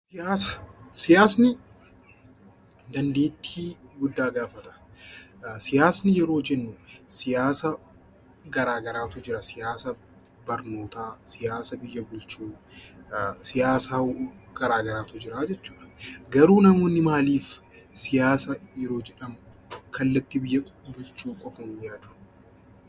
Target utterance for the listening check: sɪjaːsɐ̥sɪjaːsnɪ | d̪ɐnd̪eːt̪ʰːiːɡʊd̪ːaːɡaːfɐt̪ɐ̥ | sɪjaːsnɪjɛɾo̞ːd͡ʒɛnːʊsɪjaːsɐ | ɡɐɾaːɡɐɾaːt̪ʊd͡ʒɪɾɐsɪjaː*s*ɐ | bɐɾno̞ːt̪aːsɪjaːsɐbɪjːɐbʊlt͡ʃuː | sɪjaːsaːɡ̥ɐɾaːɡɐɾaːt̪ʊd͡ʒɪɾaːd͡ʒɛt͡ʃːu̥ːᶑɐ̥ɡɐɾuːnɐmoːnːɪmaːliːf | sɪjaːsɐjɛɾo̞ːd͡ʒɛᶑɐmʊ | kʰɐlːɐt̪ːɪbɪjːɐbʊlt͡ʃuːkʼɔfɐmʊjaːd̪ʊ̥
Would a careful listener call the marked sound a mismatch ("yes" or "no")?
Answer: no